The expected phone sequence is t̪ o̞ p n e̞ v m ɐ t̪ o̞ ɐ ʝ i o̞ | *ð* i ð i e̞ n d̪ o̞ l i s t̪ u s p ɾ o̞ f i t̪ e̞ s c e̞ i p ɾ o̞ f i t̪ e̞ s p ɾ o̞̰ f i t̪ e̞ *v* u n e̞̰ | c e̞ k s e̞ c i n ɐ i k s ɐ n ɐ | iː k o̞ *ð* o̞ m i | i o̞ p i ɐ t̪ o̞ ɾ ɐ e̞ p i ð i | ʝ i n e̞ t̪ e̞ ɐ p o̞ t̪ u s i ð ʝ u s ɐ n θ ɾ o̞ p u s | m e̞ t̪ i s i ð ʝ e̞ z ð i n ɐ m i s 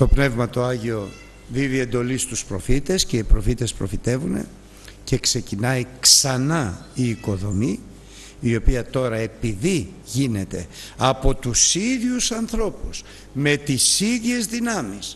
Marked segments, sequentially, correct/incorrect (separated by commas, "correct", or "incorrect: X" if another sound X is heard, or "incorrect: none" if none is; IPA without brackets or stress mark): correct, correct, correct